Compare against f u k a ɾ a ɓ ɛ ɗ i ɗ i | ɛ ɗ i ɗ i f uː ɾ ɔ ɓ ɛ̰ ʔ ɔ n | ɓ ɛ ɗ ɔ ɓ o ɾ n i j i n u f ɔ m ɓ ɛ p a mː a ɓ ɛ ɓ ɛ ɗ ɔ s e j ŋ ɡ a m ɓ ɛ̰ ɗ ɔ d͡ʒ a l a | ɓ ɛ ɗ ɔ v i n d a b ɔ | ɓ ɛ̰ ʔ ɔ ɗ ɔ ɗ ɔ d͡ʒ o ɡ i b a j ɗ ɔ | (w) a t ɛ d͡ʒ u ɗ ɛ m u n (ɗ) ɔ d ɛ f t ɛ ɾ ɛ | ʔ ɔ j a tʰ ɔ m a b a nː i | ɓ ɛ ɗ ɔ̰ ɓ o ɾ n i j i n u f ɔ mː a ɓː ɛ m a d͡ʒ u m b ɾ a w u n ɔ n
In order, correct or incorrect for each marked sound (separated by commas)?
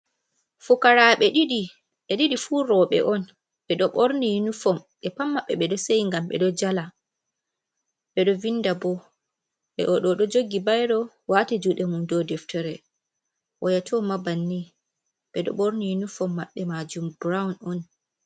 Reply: correct, incorrect